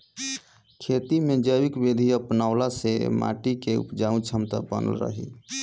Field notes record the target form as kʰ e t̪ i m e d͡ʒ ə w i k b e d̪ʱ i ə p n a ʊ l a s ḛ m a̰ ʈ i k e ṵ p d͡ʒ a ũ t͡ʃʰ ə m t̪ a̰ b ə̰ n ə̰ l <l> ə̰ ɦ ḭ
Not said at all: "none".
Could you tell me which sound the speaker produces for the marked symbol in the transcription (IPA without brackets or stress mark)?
ɾ